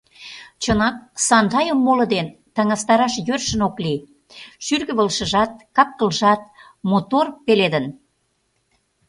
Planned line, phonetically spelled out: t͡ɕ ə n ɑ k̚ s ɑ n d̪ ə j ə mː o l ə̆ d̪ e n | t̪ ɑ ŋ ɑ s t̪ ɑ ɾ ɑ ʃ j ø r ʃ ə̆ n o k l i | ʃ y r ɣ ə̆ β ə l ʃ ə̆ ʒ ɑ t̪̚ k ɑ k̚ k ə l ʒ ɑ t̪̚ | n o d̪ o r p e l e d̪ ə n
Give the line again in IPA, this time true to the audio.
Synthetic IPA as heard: t͡ɕ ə n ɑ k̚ s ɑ n d̪ ɑ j ə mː o l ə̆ d̪ e n | t̪ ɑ ŋ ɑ s t̪ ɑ ɾ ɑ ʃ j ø r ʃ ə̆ n o k l i | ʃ y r ɣ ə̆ β ə l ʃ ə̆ ʒ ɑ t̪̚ k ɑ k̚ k ə l ʒ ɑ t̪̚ | m o t̪ o r p e l e d̪ ə n